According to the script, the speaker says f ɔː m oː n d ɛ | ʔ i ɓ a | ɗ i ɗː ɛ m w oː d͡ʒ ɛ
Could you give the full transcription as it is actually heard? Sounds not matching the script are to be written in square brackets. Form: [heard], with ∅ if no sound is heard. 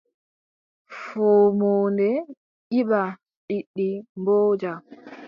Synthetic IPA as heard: f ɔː m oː n d ɛ | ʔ i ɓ a | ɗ i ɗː [i] m [b] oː d͡ʒ [a]